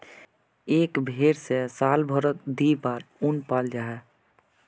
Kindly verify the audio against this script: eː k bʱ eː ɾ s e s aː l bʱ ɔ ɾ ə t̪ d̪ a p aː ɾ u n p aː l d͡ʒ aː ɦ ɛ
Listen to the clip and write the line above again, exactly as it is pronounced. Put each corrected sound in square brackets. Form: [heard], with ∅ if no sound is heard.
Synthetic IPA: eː k bʱ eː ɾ s e s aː l bʱ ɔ ɾ ə t̪ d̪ [i] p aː ɾ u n p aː l d͡ʒ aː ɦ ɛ